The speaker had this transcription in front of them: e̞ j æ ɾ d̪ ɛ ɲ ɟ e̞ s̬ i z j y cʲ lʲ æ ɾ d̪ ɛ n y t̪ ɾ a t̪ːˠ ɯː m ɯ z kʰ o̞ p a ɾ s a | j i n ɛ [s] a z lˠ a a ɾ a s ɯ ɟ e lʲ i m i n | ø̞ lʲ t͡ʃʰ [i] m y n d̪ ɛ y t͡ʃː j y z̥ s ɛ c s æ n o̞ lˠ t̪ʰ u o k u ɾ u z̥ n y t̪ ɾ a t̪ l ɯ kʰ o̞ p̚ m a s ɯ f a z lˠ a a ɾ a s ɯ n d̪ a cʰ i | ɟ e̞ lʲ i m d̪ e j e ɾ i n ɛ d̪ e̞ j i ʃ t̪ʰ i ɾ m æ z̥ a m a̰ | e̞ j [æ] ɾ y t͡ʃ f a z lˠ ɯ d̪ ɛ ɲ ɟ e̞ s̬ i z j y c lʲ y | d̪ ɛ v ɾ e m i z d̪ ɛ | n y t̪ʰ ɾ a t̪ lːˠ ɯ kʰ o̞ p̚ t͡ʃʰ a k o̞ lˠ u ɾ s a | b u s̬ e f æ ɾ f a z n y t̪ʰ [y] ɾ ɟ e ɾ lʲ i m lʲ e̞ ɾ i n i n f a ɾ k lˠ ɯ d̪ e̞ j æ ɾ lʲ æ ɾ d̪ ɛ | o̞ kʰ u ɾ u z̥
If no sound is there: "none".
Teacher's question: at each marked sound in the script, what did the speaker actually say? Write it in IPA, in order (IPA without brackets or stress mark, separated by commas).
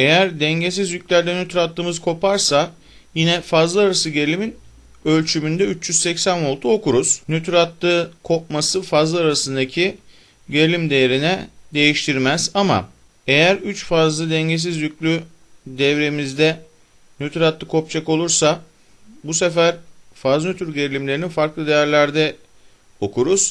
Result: f, y, æ, y